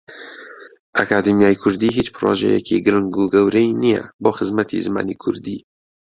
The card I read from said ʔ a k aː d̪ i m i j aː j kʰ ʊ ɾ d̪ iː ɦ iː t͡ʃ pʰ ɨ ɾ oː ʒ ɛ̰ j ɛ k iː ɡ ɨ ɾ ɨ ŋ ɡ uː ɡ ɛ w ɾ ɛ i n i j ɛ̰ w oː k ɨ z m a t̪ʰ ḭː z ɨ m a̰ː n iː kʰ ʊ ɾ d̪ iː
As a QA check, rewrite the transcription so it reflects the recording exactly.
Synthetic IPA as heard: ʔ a k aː d̪ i m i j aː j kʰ ʊ ɾ d̪ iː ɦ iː t͡ʃ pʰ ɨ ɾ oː ʒ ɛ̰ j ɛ k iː ɡ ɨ ɾ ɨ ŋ ɡ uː ɡ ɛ w ɾ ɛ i n i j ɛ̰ b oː x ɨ z m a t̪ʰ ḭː z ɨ m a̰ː n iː kʰ ʊ ɾ d̪ iː

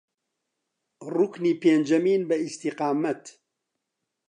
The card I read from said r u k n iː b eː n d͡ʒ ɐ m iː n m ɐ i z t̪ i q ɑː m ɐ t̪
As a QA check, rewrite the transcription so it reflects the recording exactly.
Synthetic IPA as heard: r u k n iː p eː n d͡ʒ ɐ m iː n b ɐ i s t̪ i q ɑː m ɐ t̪

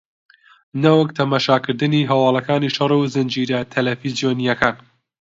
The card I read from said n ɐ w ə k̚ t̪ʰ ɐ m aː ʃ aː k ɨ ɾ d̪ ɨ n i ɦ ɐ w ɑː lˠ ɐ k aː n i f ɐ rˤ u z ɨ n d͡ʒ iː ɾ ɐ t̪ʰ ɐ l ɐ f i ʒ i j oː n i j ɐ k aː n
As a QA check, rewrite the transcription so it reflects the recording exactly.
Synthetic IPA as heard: n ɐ w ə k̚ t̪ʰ ɐ m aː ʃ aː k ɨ ɾ d̪ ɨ n i ɦ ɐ w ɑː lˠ ɐ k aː n i ʃ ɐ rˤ u z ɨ n d͡ʒ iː ɾ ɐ t̪ʰ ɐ l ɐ f i z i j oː n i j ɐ k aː n

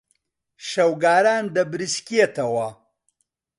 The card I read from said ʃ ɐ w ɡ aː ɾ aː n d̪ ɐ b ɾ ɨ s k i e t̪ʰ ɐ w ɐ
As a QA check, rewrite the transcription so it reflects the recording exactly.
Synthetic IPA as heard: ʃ ɐ w ɡ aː ɾ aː n d̪ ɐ b ɾ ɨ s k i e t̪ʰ ɐ w ɐ

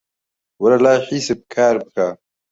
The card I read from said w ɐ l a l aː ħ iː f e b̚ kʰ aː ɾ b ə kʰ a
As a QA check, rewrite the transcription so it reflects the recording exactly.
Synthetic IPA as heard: w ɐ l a l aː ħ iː s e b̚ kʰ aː ɾ b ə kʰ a

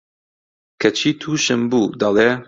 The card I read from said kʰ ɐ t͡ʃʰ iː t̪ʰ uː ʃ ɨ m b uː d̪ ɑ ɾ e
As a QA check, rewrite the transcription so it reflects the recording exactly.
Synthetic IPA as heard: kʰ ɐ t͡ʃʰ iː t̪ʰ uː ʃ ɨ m b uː d̪ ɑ l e

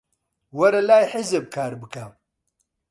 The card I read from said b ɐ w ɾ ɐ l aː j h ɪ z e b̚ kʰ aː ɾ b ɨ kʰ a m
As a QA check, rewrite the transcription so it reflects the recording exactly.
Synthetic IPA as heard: w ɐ ɾ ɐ l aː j ħ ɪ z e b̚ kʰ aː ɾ b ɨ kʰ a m

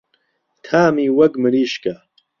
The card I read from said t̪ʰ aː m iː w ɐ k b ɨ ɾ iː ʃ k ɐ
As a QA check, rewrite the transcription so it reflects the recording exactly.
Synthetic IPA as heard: t̪ʰ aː m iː w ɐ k m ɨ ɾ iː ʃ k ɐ

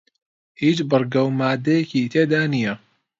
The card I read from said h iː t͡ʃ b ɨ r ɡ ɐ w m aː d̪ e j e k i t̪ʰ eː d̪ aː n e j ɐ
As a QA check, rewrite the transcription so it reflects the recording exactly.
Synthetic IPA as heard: h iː t͡ʃ b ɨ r ɡ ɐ w m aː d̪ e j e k i t̪ʰ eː d̪ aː n i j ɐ

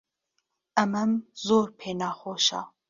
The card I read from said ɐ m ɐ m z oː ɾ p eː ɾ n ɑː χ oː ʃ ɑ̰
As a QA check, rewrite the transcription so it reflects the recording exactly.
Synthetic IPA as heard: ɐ m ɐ m z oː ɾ pʰ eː n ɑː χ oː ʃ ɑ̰

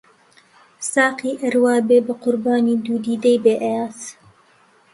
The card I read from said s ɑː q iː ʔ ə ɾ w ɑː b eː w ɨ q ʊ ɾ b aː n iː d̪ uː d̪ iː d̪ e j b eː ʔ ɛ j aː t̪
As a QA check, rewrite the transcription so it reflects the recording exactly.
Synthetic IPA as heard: s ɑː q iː ʔ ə ɾ w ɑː b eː b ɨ q ʊ ɾ b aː n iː d̪ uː d̪ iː d̪ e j b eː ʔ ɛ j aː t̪

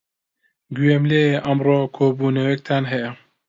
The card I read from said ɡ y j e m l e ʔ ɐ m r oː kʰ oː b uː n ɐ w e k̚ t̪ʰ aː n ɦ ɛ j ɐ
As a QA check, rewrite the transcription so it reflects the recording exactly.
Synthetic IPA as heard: ɡ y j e m l e ʔ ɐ m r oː kʰ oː b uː n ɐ w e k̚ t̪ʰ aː n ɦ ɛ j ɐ

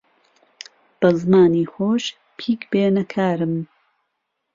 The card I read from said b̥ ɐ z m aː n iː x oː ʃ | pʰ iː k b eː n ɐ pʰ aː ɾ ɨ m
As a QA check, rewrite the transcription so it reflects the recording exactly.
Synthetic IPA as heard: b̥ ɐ z m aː n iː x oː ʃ | pʰ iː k b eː n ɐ kʰ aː ɾ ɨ m

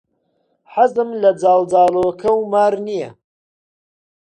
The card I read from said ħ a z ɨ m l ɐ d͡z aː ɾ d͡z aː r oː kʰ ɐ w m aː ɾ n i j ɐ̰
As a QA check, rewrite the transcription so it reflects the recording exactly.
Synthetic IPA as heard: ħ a z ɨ m l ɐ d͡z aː l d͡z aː l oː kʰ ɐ w m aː ɾ n i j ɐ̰

